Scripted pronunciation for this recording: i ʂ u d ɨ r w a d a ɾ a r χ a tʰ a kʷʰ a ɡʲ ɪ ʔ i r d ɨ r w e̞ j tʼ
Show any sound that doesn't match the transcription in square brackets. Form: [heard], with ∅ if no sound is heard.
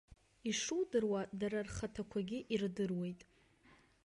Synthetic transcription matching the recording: i ʂ u d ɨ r w a d a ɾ a r χ a tʰ a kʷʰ a ɡʲ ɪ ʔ i r d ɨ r w e̞ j tʼ